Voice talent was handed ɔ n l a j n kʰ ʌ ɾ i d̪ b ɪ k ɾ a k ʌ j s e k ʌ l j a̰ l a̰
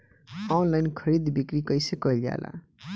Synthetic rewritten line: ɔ n l a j n kʰ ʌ ɾ i d̪ b i k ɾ i k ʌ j s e k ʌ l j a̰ l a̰